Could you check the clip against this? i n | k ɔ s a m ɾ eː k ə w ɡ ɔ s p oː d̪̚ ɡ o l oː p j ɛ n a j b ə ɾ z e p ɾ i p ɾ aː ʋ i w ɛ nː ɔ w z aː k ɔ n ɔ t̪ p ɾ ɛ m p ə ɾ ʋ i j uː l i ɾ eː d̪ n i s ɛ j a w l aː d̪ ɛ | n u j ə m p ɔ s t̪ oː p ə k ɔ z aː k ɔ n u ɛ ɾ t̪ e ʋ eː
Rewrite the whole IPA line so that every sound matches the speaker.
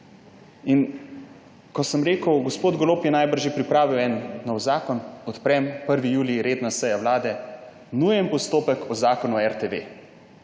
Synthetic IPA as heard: i n | k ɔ s ə m ɾ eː k ə w ɡ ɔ s p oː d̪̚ ɡ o l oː p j ɛ n a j b ə ɾ ʒ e p ɾ i p ɾ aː ʋ i w ɛ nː ɔ w z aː k ɔ n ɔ t̪ p ɾ ɛ m p ə ɾ ʋ i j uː l i ɾ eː d̪ n a s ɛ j a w l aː d̪ ɛ | n u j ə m p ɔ s t̪ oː p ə k ɔ z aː k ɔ n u ɛ ɾ t̪ e ʋ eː